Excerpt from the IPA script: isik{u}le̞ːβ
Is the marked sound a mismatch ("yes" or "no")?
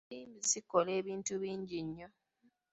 yes